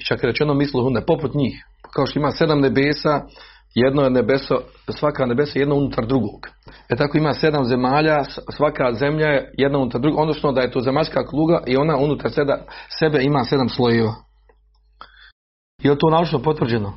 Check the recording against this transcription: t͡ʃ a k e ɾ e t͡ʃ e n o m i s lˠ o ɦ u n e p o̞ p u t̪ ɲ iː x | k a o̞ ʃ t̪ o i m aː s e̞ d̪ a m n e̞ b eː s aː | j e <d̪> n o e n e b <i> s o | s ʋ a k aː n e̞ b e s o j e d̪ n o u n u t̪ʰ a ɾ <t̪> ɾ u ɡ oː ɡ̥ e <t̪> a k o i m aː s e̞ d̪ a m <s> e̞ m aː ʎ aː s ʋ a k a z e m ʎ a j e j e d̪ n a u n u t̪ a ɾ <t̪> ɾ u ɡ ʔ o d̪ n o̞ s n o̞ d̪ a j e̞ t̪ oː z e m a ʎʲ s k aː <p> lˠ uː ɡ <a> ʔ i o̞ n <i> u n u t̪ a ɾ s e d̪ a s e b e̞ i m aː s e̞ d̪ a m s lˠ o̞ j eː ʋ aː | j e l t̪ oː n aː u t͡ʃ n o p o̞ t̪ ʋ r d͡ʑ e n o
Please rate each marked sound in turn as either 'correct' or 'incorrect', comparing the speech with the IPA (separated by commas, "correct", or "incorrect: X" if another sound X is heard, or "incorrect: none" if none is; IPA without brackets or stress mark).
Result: correct, incorrect: e, incorrect: d̪, correct, incorrect: z, incorrect: d̪, incorrect: k, correct, incorrect: a